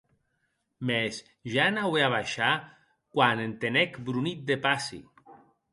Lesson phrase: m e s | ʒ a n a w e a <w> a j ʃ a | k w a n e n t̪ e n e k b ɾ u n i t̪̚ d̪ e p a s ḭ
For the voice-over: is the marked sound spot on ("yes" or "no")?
no